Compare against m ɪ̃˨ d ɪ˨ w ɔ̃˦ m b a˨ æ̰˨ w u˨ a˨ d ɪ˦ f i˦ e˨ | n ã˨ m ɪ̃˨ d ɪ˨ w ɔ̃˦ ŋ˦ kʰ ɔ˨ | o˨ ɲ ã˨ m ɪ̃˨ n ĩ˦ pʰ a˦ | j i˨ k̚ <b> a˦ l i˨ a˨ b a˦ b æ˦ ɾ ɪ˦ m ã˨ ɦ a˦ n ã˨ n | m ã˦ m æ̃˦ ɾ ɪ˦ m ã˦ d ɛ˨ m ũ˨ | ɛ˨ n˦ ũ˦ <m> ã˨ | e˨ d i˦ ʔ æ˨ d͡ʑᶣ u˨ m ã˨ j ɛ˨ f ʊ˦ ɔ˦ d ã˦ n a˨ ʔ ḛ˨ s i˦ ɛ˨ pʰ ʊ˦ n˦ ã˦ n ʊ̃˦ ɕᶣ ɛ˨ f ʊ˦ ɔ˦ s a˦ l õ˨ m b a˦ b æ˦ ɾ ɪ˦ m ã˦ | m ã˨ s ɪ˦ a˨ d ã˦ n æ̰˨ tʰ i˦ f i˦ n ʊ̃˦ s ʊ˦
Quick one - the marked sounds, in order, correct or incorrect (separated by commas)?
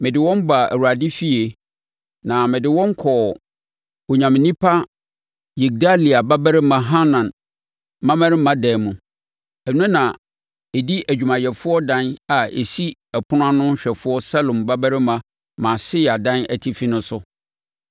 incorrect, incorrect